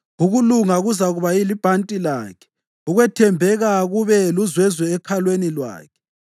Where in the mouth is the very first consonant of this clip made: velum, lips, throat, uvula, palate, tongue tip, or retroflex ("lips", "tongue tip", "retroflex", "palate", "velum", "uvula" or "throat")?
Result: velum